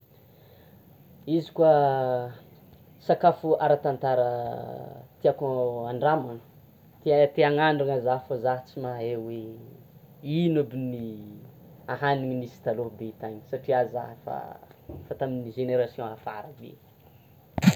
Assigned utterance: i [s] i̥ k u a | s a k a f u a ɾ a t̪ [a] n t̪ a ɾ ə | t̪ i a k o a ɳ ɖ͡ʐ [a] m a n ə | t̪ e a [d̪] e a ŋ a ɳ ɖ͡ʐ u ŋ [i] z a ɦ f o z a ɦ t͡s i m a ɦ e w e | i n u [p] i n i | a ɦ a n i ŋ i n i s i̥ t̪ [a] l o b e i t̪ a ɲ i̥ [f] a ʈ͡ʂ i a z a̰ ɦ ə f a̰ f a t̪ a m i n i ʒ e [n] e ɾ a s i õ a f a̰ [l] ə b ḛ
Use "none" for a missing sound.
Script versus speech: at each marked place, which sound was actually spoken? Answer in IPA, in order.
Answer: z, a, a, t̪, a, b, a, s, n, ɾ

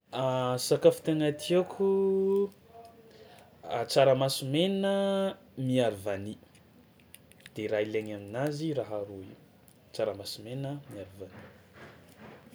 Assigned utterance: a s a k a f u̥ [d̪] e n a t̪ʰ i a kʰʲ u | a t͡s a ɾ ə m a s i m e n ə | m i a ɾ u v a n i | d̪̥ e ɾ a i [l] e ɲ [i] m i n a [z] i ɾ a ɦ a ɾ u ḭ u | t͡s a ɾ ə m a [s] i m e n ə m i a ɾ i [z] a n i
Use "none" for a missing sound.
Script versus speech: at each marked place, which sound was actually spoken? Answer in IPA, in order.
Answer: t̪, l, a, z, s, v

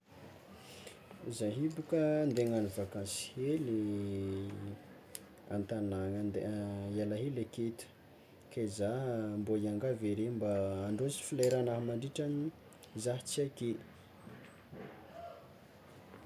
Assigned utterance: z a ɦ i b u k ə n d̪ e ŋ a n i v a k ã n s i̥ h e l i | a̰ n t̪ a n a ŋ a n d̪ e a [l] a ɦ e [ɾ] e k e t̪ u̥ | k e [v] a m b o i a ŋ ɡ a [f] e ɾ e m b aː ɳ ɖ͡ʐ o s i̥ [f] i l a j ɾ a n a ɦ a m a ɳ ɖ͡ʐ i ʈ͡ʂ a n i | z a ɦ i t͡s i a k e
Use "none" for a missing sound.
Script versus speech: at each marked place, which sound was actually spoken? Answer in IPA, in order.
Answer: l, l, z, v, f

